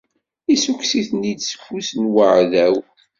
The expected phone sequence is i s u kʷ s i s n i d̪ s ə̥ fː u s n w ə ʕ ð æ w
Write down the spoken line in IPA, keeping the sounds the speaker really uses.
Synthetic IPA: i s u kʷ s i θ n i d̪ s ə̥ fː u s n w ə ʕ ð æ w